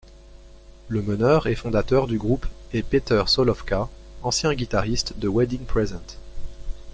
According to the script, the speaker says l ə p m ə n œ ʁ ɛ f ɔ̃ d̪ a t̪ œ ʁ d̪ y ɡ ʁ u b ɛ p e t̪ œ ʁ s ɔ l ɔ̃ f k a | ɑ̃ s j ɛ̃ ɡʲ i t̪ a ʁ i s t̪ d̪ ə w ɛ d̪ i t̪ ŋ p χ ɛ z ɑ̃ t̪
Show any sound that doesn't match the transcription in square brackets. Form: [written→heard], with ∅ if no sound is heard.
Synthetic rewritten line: l ə [p→∅] m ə n œ ʁ ɛ f ɔ̃ d̪ a t̪ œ ʁ d̪ y ɡ ʁ u [b→p] ɛ p e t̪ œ ʁ s ɔ l [ɔ̃→ɔ] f k a | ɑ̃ s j ɛ̃ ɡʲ i t̪ a ʁ i s t̪ d̪ ə w ɛ d̪ i [t̪→∅] ŋ p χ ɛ z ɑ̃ t̪